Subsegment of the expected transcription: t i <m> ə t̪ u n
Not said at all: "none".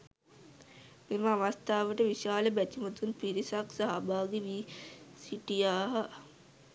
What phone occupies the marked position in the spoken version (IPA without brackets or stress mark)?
m